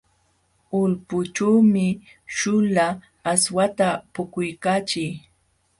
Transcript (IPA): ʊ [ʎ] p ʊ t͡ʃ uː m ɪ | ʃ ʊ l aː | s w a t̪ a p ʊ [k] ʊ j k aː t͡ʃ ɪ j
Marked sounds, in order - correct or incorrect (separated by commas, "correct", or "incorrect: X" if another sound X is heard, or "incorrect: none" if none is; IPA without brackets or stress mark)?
incorrect: l, correct